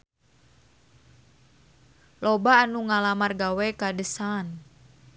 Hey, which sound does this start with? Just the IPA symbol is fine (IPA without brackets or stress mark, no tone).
l